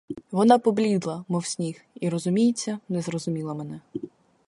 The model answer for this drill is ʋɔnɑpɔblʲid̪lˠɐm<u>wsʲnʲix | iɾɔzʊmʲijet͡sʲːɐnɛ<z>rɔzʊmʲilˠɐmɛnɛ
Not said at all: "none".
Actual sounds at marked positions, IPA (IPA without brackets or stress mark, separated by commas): ɔ, z